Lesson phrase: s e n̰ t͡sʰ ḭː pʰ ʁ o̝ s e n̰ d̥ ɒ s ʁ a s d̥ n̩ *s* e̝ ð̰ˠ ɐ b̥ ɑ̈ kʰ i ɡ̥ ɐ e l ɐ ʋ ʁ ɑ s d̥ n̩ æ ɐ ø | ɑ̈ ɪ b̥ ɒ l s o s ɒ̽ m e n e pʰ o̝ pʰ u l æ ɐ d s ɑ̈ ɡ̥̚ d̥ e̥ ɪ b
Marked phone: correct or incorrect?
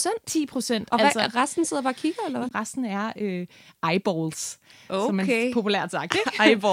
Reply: correct